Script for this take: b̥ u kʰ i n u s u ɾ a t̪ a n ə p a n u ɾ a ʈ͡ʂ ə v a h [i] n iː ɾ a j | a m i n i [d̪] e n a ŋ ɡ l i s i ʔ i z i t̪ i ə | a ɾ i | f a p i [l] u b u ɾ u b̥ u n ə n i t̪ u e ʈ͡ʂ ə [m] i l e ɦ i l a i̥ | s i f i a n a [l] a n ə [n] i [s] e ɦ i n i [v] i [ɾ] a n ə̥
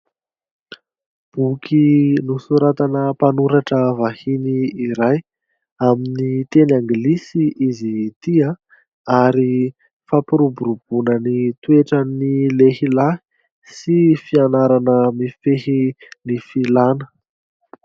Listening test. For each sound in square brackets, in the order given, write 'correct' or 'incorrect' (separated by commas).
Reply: correct, incorrect, incorrect, incorrect, incorrect, incorrect, incorrect, incorrect, incorrect